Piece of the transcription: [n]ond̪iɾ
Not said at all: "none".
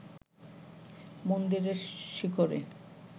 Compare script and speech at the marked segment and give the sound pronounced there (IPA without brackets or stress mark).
m